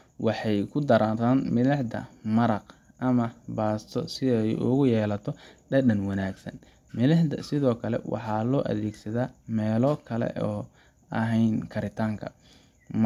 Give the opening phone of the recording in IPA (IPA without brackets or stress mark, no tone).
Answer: w